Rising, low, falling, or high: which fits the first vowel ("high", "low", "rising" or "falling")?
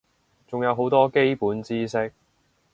low